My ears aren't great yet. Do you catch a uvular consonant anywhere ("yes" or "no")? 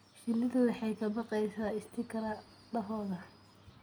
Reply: yes